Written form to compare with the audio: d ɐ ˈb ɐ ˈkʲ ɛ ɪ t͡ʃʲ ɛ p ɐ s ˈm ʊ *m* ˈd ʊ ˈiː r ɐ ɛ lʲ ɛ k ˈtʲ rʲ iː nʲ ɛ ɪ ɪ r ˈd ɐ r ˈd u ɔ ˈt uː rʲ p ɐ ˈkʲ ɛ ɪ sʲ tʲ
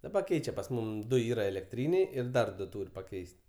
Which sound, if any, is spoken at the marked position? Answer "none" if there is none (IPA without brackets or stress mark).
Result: m